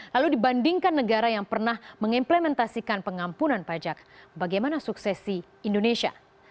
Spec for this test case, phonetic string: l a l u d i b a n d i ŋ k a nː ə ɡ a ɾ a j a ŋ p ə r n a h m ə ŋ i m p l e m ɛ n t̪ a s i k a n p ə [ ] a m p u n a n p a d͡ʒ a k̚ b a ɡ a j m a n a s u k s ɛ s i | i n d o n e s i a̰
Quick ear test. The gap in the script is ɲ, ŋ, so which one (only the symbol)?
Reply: ŋ